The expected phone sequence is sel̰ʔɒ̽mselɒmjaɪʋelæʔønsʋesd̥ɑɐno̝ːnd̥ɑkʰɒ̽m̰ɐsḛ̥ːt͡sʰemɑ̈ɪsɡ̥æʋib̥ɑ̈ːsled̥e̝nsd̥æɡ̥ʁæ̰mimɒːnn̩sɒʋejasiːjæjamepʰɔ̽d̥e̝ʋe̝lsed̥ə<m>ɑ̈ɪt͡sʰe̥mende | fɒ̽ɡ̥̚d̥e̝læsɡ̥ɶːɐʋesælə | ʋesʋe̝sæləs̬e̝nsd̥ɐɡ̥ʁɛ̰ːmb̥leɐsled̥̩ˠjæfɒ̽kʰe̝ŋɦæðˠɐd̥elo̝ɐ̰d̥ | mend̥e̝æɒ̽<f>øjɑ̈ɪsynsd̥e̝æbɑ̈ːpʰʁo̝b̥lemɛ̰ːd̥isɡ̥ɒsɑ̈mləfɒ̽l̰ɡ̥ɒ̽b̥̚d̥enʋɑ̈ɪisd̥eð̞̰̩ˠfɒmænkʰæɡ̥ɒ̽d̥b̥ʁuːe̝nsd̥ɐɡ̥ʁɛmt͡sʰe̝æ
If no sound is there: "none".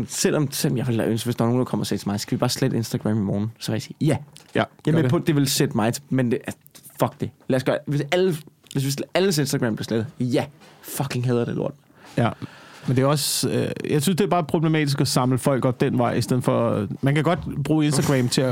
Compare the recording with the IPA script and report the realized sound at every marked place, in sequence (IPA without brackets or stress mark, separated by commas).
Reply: m, s